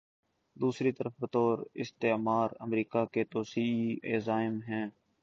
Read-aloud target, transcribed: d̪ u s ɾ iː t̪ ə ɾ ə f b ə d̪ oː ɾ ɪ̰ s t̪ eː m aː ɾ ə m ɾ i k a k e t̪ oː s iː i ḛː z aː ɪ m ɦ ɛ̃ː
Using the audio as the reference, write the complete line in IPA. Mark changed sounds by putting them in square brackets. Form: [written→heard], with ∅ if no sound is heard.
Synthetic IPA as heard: d̪ [u→uː] s ɾ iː t̪ ə ɾ ə f b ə [d̪→t̪] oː ɾ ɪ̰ s t̪ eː m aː ɾ ə m ɾ [i→iː] k a k e t̪ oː s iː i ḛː z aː ɪ m ɦ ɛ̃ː